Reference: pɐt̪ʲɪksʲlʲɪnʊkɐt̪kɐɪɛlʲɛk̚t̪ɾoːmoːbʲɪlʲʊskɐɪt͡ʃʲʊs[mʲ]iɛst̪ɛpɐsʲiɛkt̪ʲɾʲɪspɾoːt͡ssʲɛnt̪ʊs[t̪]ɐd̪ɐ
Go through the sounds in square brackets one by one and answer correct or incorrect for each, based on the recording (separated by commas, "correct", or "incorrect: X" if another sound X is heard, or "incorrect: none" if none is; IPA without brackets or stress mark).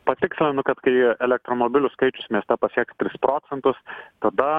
correct, correct